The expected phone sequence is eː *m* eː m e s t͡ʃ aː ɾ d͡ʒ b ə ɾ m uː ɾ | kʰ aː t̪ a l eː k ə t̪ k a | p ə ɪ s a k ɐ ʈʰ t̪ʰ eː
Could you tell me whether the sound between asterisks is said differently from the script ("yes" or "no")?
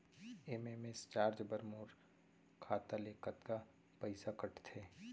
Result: no